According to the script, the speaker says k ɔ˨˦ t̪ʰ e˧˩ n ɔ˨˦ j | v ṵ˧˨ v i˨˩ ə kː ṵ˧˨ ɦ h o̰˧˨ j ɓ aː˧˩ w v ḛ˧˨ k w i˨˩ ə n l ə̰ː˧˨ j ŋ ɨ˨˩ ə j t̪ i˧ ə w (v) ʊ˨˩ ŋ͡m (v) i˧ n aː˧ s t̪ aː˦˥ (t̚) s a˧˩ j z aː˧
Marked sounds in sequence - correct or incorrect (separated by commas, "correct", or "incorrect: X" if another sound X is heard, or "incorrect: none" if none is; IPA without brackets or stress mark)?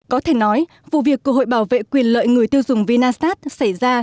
incorrect: z, correct, correct